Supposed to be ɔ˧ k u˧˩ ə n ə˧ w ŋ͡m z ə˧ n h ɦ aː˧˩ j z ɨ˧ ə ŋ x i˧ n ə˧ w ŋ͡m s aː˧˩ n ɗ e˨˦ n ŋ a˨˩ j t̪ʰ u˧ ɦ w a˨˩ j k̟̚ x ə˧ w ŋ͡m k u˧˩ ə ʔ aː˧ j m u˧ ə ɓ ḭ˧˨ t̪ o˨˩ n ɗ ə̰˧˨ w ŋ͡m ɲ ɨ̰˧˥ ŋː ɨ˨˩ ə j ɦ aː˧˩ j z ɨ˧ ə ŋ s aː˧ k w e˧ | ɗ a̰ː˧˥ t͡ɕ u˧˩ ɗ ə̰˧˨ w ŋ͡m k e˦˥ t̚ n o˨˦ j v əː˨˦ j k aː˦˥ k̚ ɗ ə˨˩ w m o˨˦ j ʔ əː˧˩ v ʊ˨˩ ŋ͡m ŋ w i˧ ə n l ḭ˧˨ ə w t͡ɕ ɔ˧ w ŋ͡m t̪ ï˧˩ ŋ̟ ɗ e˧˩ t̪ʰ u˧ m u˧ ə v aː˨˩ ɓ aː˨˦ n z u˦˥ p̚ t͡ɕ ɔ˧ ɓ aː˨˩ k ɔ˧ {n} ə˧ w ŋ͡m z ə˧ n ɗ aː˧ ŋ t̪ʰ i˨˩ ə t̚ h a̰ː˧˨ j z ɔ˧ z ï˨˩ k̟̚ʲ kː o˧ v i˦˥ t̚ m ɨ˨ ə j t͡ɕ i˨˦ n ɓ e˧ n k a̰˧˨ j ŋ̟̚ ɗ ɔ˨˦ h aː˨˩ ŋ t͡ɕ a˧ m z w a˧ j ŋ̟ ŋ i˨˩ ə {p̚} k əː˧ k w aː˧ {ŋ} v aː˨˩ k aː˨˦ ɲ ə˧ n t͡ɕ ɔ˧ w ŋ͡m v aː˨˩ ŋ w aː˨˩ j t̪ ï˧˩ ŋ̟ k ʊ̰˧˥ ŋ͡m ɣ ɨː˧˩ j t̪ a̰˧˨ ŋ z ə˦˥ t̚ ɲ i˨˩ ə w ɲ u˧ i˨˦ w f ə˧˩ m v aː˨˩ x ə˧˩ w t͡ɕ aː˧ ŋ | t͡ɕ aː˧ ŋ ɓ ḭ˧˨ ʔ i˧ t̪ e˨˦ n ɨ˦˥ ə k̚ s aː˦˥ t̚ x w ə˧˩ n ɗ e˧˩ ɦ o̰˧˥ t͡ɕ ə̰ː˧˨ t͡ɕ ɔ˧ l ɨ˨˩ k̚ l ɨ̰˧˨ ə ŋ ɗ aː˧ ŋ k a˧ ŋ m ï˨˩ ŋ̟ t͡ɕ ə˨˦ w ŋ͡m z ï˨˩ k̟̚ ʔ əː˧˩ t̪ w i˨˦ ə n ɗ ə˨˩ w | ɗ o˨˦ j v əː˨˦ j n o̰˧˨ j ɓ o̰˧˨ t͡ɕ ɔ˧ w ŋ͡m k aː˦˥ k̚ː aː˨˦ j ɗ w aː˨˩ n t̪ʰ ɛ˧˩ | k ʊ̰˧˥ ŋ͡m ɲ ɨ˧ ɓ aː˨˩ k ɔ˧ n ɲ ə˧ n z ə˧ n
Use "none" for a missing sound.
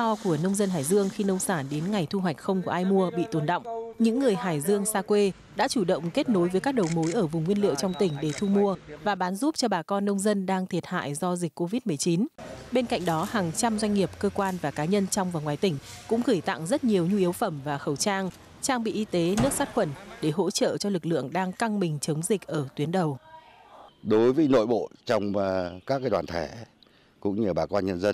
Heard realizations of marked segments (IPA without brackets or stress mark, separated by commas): nː, p̚, n